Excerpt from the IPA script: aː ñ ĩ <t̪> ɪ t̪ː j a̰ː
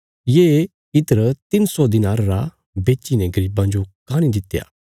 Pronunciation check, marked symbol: incorrect: d̪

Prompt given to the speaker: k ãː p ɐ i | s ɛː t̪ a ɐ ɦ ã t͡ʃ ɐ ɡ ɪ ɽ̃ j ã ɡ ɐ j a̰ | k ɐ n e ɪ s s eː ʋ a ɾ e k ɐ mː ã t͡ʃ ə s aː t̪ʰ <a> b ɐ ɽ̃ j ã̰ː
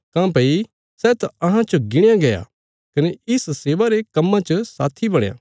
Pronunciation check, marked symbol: incorrect: i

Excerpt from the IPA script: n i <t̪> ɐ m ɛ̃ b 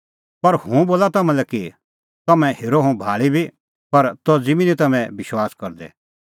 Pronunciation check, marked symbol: correct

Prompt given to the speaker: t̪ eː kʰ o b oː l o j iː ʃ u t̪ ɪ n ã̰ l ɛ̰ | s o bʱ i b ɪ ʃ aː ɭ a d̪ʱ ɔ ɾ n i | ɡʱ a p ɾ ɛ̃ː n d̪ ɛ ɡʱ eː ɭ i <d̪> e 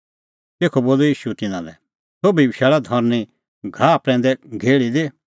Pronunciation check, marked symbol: correct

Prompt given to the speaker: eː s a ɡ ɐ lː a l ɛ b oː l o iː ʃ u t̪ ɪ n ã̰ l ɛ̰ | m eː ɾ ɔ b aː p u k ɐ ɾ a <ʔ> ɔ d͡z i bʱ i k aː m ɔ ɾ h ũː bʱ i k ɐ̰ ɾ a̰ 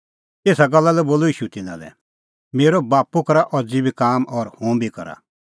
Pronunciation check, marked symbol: correct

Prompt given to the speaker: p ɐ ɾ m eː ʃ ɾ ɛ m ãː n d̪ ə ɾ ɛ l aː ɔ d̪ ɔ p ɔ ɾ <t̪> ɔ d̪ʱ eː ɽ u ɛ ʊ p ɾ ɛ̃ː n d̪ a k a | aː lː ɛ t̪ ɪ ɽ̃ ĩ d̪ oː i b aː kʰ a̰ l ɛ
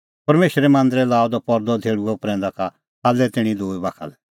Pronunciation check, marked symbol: incorrect: d̪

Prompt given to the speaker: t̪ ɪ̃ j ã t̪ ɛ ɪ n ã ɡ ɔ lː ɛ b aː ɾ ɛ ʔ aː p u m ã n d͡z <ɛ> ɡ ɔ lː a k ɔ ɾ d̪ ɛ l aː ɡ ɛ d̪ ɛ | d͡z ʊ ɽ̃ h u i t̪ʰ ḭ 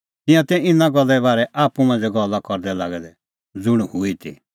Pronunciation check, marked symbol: correct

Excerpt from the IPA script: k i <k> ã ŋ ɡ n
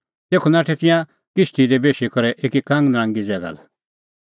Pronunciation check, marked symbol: correct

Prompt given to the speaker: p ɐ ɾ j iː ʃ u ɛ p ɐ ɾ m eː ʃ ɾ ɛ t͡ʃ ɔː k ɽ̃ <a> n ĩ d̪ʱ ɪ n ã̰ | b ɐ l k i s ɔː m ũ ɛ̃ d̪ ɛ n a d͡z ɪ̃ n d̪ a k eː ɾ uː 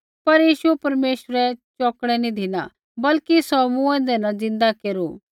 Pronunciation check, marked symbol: incorrect: ɛ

